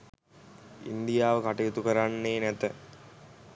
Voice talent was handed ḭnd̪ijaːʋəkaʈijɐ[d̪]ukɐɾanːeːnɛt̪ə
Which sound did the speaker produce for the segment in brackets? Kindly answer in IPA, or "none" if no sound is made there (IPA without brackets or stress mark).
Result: t̪